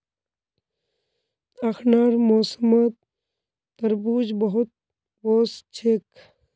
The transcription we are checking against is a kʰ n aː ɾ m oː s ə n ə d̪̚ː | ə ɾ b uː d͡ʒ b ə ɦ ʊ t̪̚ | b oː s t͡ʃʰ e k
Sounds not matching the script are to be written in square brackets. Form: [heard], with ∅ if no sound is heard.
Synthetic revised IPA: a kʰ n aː ɾ m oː s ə [m] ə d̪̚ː | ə ɾ b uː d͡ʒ b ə ɦ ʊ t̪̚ | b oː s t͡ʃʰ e k